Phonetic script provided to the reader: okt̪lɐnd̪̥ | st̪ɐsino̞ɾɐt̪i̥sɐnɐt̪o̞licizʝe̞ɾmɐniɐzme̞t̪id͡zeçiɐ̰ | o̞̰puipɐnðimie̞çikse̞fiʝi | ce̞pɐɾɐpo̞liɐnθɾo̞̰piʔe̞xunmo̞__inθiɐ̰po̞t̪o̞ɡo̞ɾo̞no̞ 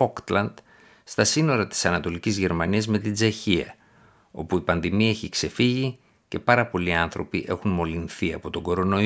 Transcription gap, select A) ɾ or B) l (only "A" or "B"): B